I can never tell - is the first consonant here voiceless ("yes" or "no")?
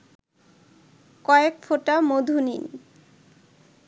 yes